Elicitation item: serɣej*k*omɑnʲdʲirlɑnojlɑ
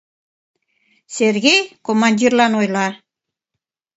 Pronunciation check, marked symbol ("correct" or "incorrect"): correct